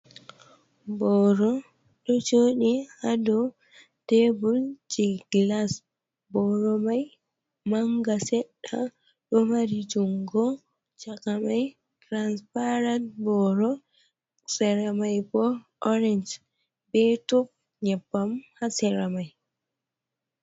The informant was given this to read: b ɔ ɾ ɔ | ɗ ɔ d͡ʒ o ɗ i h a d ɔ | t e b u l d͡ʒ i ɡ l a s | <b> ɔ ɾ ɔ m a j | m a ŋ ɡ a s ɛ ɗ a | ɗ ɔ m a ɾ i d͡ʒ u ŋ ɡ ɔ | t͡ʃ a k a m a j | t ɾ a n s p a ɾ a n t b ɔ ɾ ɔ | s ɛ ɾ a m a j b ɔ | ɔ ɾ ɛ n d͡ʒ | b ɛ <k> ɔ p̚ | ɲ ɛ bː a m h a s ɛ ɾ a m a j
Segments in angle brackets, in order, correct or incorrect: correct, incorrect: t

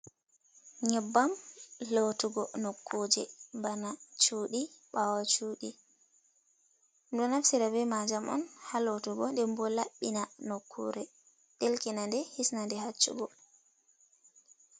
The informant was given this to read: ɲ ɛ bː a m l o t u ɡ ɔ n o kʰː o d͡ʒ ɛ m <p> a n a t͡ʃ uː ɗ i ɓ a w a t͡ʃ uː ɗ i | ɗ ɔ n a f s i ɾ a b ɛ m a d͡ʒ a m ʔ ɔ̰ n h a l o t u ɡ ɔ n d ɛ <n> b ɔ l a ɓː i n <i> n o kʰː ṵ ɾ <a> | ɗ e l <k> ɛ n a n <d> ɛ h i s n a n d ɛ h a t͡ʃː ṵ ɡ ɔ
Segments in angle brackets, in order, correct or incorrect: incorrect: b, incorrect: m, incorrect: a, incorrect: ɛ, correct, correct

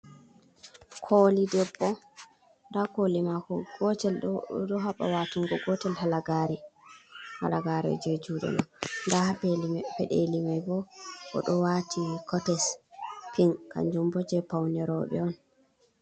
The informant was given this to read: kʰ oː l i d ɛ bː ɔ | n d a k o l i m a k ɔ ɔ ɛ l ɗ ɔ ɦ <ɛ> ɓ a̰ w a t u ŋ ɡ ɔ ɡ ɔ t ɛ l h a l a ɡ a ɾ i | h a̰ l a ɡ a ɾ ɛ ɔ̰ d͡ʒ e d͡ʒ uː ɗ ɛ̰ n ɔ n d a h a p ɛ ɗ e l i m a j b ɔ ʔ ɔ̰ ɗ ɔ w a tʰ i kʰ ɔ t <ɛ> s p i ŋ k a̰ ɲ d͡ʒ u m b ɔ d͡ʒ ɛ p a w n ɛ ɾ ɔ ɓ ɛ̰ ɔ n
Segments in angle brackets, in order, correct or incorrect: incorrect: a, correct

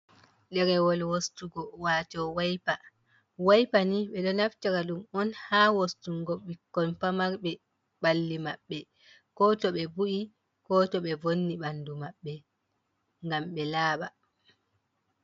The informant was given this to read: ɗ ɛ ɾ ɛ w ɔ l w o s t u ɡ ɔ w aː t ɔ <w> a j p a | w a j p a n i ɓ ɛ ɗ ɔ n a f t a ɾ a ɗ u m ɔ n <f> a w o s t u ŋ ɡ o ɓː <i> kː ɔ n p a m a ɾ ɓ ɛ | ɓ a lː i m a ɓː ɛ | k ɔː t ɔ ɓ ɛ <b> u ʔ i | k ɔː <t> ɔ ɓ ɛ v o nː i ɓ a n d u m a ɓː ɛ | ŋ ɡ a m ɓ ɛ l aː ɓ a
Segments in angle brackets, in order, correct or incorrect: correct, incorrect: h, correct, correct, correct

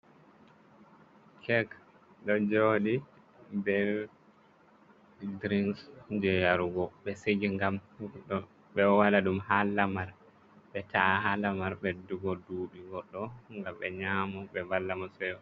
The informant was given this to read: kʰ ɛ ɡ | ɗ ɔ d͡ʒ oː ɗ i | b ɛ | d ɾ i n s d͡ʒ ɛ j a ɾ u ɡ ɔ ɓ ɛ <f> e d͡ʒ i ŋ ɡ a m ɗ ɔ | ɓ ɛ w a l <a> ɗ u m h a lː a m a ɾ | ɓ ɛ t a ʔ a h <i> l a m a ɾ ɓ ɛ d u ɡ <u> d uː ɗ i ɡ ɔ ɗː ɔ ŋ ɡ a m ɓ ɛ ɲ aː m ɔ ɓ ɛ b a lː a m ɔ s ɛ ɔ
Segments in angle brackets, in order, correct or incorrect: incorrect: s, correct, incorrect: a, incorrect: ɔ

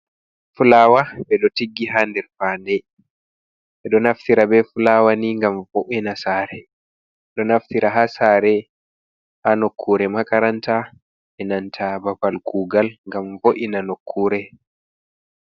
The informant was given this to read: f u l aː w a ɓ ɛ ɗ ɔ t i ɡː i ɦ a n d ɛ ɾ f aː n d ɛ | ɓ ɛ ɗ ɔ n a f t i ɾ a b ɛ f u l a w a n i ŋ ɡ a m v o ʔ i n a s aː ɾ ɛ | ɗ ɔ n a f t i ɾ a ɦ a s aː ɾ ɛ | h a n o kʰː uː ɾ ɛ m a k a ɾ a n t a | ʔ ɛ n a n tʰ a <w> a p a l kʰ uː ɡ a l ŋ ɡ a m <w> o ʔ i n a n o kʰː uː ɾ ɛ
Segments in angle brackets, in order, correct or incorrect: incorrect: b, incorrect: v

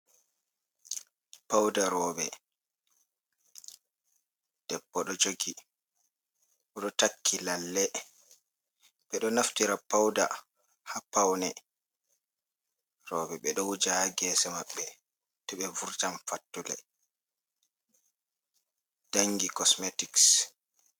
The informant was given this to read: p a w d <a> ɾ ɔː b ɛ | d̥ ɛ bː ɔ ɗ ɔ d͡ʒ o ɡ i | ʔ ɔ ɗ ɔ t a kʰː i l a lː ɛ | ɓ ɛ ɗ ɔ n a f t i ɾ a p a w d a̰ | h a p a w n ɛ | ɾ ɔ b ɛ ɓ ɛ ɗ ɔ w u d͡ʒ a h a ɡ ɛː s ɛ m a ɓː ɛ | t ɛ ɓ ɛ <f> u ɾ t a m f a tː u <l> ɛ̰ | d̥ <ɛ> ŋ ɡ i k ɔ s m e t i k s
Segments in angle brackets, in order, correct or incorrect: correct, incorrect: v, correct, incorrect: a

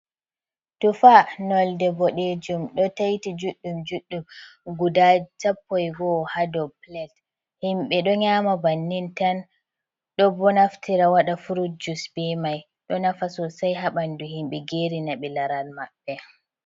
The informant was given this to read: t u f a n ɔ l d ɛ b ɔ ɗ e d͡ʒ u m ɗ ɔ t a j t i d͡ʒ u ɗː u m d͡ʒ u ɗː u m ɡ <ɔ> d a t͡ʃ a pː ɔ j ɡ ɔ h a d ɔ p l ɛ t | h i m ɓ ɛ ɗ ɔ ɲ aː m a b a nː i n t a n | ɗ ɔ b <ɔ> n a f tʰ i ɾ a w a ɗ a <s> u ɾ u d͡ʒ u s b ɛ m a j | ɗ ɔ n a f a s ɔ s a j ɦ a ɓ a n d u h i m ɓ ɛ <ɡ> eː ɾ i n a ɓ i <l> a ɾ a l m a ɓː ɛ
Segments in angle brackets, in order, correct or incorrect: incorrect: u, correct, incorrect: f, correct, correct

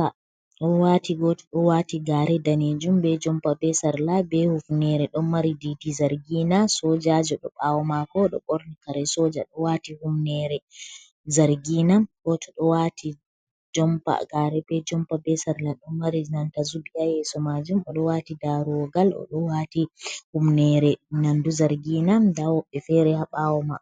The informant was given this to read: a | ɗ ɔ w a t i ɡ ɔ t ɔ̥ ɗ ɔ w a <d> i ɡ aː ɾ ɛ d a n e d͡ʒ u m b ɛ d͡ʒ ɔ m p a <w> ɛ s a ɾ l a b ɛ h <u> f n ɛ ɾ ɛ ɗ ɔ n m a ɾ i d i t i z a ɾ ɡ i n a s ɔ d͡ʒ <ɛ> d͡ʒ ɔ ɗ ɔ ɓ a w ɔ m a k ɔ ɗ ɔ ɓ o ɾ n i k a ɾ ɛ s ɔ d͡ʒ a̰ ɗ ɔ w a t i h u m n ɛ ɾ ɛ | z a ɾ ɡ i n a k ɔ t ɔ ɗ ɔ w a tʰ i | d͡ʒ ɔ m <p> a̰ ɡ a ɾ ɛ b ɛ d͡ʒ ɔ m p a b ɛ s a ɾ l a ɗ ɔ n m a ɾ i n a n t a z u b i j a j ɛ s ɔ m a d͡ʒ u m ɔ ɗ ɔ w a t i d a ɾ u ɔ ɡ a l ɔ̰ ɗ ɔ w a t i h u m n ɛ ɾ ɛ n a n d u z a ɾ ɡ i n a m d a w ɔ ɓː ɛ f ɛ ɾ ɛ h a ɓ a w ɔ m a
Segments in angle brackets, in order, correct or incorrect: incorrect: t, incorrect: b, correct, incorrect: a, correct

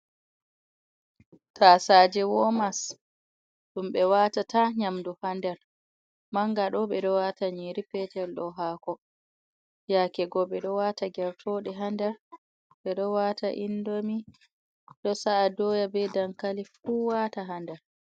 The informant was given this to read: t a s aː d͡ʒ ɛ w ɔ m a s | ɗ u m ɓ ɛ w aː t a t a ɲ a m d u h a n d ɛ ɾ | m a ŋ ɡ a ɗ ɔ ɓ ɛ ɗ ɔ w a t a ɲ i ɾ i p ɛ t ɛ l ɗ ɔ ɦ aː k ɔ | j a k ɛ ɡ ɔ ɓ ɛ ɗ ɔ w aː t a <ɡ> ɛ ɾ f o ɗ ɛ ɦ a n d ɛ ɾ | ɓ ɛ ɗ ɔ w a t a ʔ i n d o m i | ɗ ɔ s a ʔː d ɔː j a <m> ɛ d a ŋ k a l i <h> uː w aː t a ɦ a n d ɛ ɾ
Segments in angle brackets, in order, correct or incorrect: correct, incorrect: b, incorrect: f

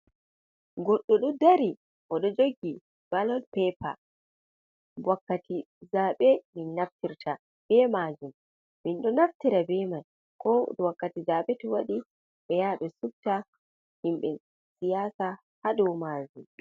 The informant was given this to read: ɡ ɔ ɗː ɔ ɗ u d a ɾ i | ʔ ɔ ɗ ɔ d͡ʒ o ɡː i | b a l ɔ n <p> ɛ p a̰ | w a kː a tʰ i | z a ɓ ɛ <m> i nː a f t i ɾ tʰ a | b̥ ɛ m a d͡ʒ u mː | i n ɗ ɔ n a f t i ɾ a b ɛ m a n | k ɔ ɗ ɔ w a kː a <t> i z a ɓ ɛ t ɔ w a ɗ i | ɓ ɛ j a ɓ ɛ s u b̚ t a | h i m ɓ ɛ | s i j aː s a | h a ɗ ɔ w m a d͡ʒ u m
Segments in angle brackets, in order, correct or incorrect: correct, correct, correct

